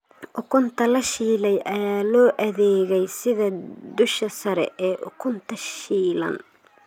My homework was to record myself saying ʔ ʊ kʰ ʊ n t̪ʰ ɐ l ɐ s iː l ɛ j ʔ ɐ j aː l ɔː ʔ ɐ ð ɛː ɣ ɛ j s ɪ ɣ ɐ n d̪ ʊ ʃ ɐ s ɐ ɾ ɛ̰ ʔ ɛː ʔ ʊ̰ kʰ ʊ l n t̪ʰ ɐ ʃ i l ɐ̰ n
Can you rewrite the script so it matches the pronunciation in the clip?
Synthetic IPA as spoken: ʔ ʊ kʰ ʊ n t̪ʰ ɐ l ɐ ʃ iː l ɛ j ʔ ɐ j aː l ɔː ʔ ɐ ð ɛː ɣ ɛ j s ɪ ð ɐ d̪ ʊ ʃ ɐ s ɐ ɾ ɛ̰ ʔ ɛː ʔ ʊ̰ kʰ ʊ n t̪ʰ ɐ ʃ iː l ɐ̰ n